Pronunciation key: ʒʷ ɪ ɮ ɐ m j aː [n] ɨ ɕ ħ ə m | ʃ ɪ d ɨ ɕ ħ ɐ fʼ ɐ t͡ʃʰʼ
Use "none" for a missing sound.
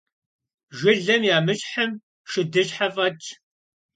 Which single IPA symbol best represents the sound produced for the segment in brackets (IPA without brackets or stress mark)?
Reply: m